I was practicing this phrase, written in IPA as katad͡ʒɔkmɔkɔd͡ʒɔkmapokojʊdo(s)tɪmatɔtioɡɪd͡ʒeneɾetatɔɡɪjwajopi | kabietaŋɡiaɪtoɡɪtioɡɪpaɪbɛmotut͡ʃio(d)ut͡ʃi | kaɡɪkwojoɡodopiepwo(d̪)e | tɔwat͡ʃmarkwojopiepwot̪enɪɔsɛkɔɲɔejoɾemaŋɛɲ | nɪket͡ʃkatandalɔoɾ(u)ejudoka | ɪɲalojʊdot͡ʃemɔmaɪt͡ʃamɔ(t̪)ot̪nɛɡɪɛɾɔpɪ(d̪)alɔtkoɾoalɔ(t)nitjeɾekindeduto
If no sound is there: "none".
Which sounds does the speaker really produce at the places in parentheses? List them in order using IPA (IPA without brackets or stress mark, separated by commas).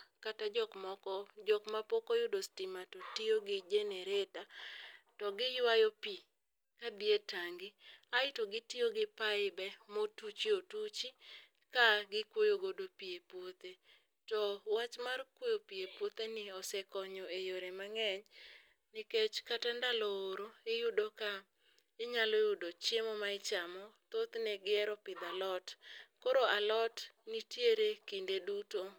s, t, t̪, o, t̪, d̪, t